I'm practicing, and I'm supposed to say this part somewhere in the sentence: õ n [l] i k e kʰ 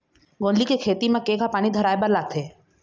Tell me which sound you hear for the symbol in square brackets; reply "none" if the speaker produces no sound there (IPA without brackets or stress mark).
l